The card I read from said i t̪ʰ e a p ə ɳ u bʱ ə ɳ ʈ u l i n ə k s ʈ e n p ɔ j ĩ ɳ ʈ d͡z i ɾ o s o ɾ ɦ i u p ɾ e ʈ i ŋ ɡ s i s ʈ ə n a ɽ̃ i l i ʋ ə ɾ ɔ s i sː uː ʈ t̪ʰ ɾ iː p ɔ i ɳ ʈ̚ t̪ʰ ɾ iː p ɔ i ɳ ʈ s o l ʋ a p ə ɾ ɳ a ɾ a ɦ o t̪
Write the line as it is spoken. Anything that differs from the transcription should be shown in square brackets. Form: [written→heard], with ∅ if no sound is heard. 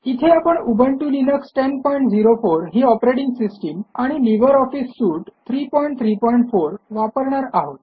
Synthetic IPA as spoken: i t̪ʰ e a p ə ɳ u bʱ ə ɳ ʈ u l i n ə k s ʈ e n p ɔ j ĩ ɳ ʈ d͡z i ɾ o [s→f] o ɾ ɦ i [u→ɔ] p ɾ e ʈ i ŋ ɡ s i s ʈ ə [n→m] a ɽ̃ i l i ʋ ə ɾ ɔ [s→f] i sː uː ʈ t̪ʰ ɾ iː p ɔ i ɳ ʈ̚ t̪ʰ ɾ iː p ɔ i ɳ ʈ [s→f] o [l→ɾ] ʋ a p ə ɾ ɳ a ɾ a ɦ o t̪